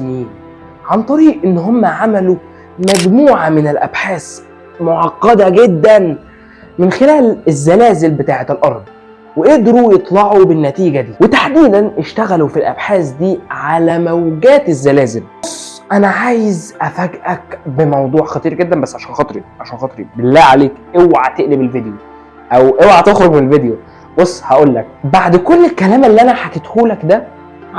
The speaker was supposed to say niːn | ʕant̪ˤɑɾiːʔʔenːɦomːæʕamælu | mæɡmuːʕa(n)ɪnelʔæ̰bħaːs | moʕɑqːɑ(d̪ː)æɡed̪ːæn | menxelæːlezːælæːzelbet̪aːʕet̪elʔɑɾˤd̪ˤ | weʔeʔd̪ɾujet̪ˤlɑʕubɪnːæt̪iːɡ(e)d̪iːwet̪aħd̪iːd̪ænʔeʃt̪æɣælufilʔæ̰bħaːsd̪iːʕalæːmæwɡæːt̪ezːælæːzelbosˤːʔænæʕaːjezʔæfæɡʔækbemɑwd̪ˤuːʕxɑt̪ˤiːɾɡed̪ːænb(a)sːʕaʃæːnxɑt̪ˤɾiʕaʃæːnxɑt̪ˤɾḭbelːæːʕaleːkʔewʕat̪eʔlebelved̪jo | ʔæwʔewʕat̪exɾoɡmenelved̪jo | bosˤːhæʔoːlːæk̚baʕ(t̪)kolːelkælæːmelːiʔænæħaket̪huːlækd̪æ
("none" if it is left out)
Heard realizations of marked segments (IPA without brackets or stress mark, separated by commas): m, d̪, æ, æ, d̪